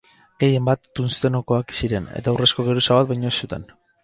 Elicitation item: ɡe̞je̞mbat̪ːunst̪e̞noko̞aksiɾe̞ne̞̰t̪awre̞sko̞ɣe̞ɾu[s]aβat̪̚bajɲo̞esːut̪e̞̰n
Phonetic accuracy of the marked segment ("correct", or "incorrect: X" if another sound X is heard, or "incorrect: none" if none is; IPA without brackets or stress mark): correct